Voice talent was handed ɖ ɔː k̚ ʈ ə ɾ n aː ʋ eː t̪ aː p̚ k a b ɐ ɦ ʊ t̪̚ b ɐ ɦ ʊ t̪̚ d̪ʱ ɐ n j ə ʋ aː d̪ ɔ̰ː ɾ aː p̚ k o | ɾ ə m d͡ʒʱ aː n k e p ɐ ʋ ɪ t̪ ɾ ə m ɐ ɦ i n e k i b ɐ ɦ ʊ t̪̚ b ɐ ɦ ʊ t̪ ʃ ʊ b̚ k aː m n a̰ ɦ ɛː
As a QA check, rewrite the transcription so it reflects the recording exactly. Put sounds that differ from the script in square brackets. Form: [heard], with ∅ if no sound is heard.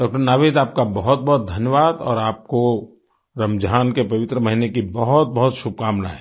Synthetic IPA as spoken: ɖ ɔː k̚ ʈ ə ɾ n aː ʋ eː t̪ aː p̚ k a b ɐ ɦ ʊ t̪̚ b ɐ ɦ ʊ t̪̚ d̪ʱ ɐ n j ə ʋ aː d̪ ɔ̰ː ɾ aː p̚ k o | ɾ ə m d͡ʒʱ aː n k e p ɐ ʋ ɪ t̪ ɾ ə m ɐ ɦ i n e k i b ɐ ɦ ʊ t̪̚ b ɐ ɦ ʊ t̪ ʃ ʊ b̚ k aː m n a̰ ɦ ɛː